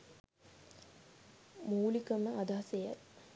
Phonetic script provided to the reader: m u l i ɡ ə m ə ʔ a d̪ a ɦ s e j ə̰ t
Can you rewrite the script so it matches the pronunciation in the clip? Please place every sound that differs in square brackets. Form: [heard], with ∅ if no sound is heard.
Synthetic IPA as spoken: m [uː] l i [k] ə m ə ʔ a d̪ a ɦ s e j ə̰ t